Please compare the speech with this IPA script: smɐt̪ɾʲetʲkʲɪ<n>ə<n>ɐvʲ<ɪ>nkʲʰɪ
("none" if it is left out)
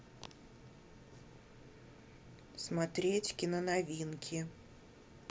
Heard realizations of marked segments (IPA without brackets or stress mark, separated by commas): n, n, i